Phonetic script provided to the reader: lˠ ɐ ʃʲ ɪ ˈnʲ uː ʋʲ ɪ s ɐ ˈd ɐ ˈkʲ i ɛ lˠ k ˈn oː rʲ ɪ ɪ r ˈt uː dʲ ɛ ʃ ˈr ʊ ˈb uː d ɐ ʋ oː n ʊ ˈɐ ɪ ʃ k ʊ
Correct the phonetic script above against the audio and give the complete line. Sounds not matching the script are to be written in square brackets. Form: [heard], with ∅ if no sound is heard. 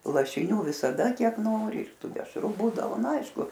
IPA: lˠ ɐ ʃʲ ɪ ˈnʲ uː ʋʲ ɪ s ɐ ˈd ɐ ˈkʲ i ɛ [∅] k ˈn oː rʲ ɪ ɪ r ˈt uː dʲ ɛ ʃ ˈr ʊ ˈb uː d ɐ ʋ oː n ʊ ˈɐ ɪ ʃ k ʊ